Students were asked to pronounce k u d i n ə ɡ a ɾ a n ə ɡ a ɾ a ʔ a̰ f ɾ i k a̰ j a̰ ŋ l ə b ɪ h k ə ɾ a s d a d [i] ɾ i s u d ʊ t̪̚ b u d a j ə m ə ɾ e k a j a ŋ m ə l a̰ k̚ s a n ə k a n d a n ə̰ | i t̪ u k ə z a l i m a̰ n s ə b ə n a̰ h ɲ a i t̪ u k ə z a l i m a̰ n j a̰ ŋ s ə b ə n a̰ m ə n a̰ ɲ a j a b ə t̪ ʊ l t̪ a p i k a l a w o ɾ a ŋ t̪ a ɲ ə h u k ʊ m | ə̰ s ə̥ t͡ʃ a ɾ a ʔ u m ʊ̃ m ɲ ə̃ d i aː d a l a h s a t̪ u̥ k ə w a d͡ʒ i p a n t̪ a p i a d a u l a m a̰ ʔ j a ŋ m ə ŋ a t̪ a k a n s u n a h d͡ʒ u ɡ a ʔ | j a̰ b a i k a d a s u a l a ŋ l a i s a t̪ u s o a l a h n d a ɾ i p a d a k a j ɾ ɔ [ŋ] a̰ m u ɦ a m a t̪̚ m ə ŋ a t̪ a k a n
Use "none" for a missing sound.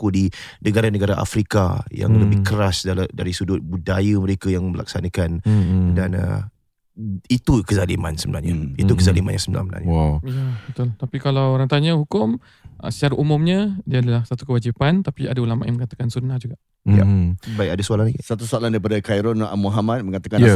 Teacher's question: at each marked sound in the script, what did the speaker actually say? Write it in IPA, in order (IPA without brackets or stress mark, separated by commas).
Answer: a, n